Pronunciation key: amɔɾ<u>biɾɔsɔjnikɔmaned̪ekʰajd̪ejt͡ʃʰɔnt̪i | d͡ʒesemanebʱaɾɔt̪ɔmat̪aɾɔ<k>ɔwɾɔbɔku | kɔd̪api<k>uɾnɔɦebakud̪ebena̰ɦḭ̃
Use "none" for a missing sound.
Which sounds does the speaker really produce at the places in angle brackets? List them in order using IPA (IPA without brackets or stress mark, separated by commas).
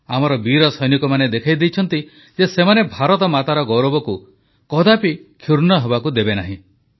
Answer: ɔ, ɡ, kʰ